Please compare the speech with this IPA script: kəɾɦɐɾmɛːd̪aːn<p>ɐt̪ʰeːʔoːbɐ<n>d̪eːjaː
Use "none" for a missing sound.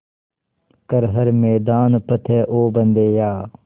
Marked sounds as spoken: p, n

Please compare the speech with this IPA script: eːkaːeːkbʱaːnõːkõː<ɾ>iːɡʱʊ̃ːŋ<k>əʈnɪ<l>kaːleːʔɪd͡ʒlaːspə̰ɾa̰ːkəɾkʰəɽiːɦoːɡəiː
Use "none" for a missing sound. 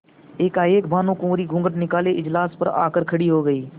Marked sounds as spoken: ɾ, ɡ, none

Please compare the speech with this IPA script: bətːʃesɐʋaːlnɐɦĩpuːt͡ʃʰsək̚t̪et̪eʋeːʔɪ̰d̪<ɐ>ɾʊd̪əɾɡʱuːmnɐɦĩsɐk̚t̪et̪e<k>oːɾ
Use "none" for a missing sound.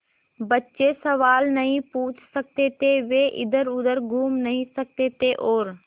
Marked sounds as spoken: ə, ʔ

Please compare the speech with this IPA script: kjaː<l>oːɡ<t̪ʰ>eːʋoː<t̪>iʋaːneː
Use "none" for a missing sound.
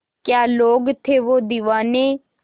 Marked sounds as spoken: l, t̪ʰ, d̪

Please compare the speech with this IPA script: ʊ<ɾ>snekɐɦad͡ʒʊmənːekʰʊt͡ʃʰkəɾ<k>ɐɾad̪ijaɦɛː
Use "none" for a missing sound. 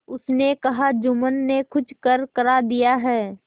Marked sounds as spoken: none, k

